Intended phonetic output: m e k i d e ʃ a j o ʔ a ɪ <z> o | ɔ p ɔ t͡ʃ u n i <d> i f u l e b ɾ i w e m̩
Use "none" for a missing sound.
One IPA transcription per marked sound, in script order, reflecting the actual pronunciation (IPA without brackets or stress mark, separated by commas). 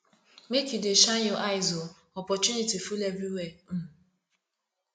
z, t